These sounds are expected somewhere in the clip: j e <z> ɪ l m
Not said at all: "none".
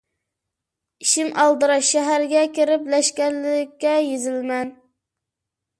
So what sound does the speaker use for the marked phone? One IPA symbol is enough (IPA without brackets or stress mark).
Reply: z